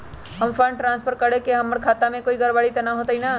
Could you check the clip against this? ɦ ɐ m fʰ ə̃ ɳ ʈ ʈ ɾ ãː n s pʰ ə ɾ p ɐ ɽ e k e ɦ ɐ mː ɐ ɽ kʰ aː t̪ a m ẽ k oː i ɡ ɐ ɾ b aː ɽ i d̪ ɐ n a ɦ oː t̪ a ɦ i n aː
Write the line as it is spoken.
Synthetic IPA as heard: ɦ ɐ m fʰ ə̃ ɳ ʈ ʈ ɾ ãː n s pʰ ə ɾ k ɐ ɽ e k e ɦ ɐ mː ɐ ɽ kʰ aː t̪ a m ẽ k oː i ɡ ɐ ɾ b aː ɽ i t̪ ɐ n a ɦ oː t̪ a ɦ i n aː